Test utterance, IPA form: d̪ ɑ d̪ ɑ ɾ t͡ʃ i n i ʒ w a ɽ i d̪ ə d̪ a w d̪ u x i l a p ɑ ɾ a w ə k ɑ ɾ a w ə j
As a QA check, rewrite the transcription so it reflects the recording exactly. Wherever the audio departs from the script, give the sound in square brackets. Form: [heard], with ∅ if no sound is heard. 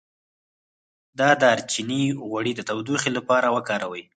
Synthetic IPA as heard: d̪ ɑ d̪ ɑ ɾ t͡ʃ i n i [ɣ] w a ɽ i d̪ ə [t̪] a w d̪ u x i l a p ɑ ɾ a w ə k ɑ ɾ a w ə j